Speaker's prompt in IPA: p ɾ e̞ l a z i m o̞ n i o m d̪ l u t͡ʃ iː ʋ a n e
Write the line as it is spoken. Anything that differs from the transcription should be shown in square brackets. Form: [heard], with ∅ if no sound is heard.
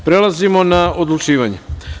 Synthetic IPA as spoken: p ɾ e̞ l a z i m o̞ n [a] o [∅] d̪ l u t͡ʃ iː ʋ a [ɲ] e